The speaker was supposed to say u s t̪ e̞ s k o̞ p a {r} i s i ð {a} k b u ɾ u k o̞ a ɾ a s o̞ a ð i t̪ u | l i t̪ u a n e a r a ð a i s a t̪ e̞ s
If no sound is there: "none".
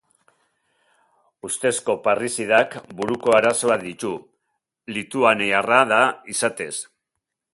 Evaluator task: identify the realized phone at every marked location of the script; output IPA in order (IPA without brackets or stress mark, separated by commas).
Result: r, a